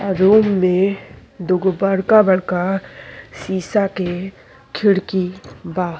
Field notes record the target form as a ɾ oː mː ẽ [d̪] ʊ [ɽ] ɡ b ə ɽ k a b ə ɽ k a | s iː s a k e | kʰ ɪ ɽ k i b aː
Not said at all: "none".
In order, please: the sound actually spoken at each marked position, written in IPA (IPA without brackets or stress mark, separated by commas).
d̪, none